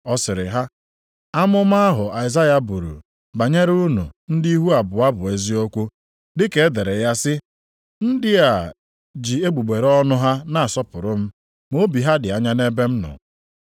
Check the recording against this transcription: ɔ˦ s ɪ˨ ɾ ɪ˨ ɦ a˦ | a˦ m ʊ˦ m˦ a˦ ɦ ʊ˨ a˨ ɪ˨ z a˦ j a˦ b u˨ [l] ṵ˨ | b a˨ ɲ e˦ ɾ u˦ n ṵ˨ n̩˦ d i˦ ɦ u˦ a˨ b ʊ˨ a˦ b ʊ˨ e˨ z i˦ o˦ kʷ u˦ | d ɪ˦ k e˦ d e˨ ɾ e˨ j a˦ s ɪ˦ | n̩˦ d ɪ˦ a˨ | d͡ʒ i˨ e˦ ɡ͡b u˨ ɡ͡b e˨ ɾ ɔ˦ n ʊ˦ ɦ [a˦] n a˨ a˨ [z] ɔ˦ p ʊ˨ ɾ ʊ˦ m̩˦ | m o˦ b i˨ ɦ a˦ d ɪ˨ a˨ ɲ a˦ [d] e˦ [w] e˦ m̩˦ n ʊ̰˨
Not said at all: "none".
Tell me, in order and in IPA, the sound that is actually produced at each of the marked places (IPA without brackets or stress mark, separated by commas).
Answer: ɾ, a˦, s, n, b